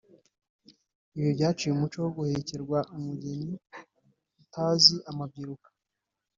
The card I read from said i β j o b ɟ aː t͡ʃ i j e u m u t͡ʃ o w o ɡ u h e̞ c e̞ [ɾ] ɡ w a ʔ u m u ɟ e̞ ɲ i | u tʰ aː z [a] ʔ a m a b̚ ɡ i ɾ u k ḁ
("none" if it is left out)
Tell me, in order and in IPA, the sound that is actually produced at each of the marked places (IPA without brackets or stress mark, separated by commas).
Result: ɾ, i